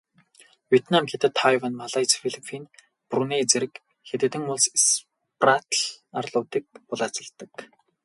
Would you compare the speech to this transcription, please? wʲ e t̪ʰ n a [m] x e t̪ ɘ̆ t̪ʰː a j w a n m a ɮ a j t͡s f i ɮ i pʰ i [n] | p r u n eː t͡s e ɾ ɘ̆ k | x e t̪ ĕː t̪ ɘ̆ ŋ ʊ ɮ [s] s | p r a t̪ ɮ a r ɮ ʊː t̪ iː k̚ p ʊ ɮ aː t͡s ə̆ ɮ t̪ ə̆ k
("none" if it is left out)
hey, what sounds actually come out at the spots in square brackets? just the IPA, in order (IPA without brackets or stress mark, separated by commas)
m, n, s